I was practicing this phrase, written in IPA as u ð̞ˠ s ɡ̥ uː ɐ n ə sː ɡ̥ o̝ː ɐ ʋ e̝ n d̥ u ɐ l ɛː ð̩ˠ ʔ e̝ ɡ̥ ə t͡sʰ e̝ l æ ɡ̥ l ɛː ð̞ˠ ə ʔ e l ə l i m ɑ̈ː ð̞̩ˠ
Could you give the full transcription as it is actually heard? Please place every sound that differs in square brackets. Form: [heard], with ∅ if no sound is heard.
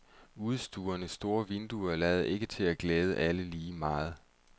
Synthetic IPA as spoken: u ð̞ˠ s [d̥] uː ɐ n ə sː [d̥] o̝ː ɐ ʋ e̝ n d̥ u ɐ l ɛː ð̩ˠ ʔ e̝ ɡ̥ ə t͡sʰ e̝ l æ ɡ̥ l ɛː ð̞ˠ ə ʔ [æ] l ə l [iː] m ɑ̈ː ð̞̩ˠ